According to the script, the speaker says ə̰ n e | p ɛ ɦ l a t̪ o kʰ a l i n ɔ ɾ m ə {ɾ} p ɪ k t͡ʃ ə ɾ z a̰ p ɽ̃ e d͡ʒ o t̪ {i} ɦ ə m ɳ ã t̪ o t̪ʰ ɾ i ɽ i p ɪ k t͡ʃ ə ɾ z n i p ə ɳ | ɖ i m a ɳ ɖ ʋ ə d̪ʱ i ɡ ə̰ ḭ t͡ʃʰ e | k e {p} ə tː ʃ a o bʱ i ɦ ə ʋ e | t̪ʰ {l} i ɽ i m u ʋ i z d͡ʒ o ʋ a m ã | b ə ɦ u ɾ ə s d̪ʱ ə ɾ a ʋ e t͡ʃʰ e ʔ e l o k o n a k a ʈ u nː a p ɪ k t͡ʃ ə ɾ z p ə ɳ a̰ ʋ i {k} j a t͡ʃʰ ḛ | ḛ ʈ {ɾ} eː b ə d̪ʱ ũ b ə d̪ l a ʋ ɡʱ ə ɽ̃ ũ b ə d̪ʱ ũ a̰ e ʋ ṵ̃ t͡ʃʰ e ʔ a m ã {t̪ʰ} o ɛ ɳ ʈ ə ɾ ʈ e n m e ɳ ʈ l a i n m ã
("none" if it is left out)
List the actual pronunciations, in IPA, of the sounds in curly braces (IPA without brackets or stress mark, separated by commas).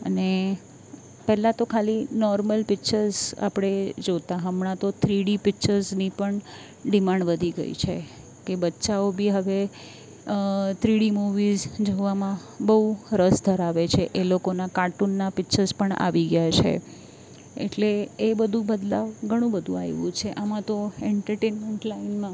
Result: l, a, b, ɾ, ɡ, l, t̪